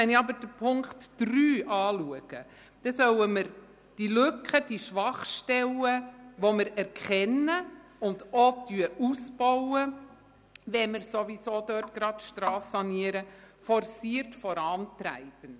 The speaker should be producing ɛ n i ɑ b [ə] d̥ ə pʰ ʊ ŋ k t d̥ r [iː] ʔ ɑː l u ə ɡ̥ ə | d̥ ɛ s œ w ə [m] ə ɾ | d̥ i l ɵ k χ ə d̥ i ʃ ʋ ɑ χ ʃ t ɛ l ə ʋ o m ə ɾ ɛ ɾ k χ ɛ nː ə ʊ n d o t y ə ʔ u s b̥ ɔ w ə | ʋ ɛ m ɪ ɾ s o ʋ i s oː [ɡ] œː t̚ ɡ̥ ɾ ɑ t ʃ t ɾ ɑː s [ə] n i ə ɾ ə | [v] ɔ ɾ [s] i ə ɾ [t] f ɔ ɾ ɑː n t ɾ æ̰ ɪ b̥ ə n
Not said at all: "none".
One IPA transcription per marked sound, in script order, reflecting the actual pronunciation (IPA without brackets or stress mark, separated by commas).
ə, yː, m, d, ɑ, f, s, t